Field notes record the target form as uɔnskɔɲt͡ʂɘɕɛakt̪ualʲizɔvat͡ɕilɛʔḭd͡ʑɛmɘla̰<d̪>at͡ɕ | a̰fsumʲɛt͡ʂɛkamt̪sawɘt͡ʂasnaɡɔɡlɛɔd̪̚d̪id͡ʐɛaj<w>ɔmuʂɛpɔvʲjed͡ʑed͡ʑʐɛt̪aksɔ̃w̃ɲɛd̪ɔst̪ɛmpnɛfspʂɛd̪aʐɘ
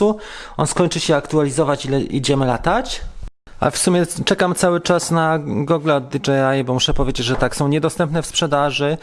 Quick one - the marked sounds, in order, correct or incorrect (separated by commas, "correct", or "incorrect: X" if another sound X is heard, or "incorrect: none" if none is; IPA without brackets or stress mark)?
incorrect: t̪, incorrect: b